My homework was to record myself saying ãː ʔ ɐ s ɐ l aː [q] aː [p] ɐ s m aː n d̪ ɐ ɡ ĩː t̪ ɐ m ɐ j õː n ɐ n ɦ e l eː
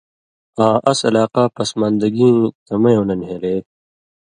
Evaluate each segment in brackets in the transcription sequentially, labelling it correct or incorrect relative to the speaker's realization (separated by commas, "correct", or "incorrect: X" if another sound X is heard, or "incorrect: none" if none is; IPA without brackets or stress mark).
correct, correct